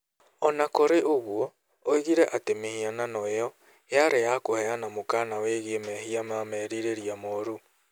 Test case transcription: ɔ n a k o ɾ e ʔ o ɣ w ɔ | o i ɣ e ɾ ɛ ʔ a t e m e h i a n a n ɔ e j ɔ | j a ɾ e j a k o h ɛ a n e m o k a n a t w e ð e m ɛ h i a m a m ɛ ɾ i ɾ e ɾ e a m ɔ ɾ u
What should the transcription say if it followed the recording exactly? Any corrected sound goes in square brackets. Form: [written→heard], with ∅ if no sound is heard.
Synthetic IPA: ɔ n a k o ɾ e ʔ o ɣ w ɔ | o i ɣ [e→i] ɾ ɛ ʔ a t e m e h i a n a n ɔ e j ɔ | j a ɾ e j a k o h ɛ a n [e→a] m o k a n a [t→∅] w e [ð→ɣ] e m ɛ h i a m a m ɛ ɾ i ɾ e ɾ [e→i] a m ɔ ɾ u